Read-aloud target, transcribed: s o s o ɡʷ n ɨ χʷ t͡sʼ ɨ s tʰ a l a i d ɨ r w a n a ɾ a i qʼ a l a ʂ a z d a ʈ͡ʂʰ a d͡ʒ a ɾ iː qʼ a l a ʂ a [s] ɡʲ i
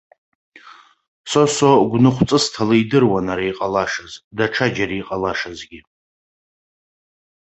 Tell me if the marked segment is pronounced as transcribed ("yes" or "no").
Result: no